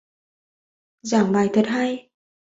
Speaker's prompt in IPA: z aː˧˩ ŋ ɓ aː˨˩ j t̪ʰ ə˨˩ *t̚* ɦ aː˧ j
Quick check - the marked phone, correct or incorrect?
correct